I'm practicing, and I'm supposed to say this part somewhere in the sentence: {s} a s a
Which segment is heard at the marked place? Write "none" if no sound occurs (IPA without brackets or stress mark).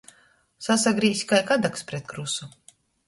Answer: s